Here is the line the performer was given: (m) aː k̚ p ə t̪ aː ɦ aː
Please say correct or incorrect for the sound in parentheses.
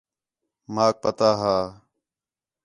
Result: correct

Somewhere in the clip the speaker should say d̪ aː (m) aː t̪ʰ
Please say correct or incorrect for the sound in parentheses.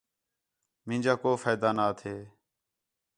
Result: incorrect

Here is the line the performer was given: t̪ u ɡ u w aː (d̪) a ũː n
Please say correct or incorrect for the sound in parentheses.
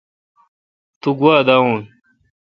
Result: correct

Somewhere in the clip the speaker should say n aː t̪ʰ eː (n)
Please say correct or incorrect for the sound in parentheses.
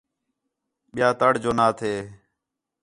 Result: incorrect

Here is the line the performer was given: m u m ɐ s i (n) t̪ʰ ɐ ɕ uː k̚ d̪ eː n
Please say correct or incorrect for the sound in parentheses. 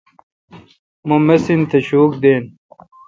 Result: correct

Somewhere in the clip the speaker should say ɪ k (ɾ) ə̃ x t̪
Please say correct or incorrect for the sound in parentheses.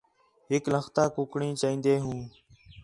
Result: incorrect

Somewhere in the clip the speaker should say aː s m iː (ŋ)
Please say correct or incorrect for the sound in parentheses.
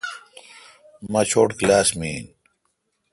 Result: incorrect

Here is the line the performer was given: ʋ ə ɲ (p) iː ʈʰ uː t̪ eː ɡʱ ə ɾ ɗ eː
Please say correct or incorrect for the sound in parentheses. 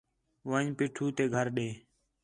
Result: correct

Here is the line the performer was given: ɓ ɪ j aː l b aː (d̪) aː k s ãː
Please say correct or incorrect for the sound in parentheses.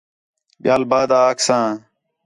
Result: correct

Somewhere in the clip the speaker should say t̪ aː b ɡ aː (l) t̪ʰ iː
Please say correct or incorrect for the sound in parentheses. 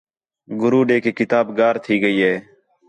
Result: incorrect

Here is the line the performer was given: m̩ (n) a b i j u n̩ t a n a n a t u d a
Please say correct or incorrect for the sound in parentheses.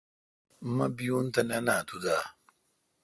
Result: incorrect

